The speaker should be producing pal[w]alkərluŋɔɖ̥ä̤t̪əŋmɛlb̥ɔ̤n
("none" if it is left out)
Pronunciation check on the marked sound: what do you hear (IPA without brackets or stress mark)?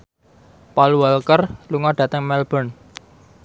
u